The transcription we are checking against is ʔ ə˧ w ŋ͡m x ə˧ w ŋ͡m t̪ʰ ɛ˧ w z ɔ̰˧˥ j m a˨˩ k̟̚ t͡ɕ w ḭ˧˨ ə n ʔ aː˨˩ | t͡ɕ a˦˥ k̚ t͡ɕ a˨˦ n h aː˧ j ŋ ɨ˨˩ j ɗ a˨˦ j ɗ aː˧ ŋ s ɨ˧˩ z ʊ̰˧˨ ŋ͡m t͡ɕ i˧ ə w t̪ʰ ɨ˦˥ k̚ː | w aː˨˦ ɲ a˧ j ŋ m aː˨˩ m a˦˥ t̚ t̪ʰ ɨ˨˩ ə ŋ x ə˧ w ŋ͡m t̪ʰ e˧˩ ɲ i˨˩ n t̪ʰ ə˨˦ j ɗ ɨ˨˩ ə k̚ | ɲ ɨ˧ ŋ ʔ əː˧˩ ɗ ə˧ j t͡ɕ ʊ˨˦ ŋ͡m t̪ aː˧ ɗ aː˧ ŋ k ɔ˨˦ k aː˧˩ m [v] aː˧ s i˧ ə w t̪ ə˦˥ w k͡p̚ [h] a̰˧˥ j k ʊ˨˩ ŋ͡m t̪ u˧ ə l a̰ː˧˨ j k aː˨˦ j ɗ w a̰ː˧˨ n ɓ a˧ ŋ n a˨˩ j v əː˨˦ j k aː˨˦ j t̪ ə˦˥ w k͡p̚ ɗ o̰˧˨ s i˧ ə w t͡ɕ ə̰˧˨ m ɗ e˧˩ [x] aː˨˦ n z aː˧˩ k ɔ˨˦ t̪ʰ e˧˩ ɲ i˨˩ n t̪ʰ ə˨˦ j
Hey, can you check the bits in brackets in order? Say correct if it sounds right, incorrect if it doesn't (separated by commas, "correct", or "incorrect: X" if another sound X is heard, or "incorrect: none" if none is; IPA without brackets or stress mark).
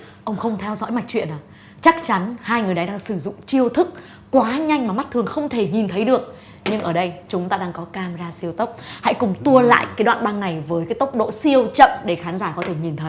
incorrect: z, correct, correct